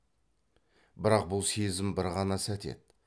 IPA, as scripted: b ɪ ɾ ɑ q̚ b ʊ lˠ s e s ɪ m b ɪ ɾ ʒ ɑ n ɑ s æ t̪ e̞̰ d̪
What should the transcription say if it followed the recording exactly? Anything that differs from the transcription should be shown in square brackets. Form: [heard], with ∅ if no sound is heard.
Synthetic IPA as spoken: b ɪ ɾ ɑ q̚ b ʊ lˠ s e [z] ɪ m b ɪ ɾ [ʁ] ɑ n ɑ s æ t̪ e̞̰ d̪

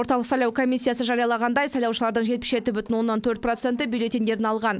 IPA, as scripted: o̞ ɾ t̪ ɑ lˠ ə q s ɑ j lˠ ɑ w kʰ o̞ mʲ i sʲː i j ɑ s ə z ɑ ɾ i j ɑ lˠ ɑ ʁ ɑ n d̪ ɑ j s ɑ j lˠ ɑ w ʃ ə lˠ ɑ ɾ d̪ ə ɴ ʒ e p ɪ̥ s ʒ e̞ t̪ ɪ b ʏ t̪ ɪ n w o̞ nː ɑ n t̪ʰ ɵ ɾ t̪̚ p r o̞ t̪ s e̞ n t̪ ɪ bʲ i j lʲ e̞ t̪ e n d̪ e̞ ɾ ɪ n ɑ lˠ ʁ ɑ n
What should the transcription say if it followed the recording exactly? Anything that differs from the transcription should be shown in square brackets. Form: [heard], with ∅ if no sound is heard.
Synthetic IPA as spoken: o̞ ɾ t̪ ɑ lˠ ə q s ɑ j lˠ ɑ w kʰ o̞ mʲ i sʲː i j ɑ s ə [ʒ] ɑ ɾ i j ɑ lˠ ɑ ʁ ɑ n d̪ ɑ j s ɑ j lˠ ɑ w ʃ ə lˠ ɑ ɾ d̪ ə ɴ ʒ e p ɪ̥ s ʒ e̞ t̪ ɪ b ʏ t̪ ɪ n w o̞ nː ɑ n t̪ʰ ɵ ɾ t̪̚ p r o̞ t̪ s e̞ n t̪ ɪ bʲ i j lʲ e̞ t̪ e n d̪ e̞ ɾ ɪ n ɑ lˠ ʁ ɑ n

